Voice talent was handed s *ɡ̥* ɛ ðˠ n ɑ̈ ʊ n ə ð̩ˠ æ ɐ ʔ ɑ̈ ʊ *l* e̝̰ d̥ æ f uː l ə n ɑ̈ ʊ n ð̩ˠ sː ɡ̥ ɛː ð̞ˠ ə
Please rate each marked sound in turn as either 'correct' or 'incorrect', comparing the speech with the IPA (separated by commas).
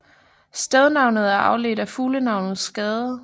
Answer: incorrect, correct